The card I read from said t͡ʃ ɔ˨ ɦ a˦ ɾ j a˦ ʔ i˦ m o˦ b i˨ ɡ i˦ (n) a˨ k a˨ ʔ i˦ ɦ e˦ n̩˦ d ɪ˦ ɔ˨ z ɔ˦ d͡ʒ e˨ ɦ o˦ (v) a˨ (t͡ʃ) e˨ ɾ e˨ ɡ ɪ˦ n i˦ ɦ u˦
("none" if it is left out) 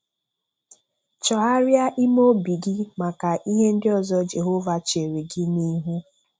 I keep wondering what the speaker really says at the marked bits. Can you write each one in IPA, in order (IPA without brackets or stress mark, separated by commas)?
m, v, t͡ʃ